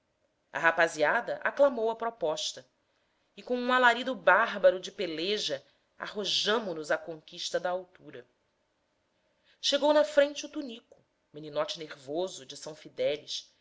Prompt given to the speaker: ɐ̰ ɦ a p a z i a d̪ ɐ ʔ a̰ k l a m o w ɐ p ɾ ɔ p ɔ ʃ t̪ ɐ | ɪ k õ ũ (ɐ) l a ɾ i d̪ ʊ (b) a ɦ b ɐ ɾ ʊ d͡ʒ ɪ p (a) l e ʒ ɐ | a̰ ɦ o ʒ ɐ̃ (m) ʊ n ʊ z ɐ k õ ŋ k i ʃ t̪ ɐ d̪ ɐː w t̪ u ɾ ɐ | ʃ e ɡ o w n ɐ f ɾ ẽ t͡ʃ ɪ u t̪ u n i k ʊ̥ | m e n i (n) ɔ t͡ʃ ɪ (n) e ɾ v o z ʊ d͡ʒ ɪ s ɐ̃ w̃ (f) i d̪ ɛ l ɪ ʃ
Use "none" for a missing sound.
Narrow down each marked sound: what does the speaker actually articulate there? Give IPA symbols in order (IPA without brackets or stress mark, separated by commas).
a, b, e, m, n, n, f